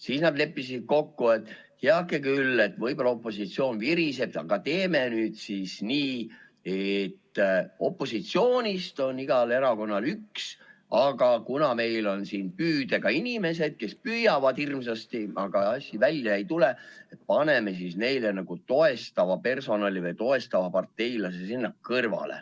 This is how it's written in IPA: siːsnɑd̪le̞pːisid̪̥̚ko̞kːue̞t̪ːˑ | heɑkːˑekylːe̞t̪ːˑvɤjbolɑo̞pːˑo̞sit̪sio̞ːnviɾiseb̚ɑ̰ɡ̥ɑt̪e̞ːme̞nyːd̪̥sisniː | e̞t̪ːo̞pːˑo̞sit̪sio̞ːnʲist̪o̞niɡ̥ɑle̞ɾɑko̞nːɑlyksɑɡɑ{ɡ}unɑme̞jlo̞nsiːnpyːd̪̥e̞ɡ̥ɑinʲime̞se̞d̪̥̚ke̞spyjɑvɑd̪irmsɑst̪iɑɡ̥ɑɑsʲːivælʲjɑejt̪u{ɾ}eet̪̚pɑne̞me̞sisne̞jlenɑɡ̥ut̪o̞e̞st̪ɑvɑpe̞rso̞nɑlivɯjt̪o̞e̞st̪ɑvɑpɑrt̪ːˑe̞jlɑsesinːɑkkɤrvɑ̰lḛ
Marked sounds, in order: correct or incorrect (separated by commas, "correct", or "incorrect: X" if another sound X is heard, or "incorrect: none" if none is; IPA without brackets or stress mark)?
incorrect: k, incorrect: l